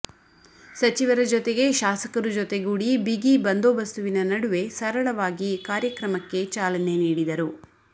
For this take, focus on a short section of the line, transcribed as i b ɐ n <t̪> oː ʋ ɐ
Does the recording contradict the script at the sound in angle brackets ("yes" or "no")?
yes